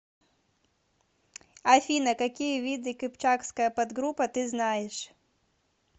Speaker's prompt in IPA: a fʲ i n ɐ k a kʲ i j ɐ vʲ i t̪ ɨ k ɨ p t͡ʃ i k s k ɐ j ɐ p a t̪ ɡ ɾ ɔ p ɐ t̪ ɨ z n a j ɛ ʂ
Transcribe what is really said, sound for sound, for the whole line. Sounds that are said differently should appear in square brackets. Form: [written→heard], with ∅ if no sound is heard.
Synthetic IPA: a fʲ i n ɐ k a kʲ i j ɐ vʲ i [t̪→d̪] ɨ k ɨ p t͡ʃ [i→a] k s k ɐ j ɐ p a [t̪→d̪] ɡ ɾ [ɔ→u] p ɐ t̪ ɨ z n a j ɛ ʂ